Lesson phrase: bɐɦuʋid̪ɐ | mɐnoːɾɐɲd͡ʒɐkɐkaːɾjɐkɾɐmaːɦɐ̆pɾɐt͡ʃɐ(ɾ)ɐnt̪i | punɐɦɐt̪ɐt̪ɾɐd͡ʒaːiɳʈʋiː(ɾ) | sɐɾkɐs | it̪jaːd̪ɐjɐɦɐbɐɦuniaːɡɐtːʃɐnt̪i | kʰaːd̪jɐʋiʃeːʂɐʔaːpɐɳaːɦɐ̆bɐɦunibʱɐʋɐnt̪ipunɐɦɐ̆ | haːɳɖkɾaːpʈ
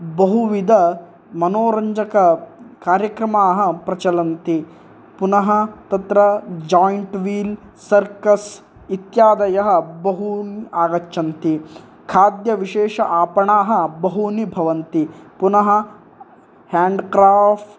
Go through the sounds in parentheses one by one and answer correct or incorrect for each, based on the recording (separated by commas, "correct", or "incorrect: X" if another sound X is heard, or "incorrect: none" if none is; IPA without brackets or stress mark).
incorrect: l, incorrect: l